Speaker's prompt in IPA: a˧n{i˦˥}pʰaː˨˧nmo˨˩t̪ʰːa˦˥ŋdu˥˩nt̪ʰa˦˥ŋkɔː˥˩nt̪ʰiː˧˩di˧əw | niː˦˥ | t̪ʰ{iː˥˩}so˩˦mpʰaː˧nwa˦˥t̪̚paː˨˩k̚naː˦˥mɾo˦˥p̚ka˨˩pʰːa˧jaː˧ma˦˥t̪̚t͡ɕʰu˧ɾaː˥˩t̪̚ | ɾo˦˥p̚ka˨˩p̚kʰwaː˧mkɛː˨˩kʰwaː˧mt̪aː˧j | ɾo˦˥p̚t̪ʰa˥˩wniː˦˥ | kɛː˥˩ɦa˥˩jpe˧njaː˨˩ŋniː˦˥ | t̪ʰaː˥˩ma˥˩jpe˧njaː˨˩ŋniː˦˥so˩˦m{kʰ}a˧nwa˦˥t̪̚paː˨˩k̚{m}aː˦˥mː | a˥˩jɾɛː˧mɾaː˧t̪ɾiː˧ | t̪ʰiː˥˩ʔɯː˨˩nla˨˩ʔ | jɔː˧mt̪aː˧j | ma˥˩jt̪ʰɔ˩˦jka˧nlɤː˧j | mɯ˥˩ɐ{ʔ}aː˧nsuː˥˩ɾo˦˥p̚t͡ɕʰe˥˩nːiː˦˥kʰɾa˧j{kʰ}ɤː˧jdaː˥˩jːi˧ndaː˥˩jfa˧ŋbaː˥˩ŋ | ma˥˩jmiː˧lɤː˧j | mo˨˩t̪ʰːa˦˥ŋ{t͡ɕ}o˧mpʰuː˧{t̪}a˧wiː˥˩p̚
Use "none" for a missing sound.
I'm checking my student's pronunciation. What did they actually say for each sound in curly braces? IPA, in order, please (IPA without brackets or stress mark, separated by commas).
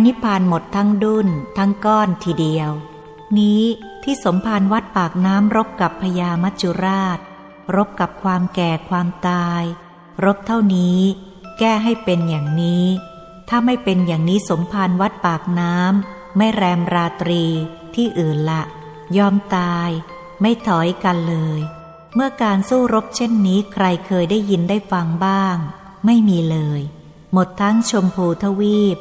i˦˥, iː˥˩, pʰ, n, k, kʰ, t͡ɕʰ, t̪ʰ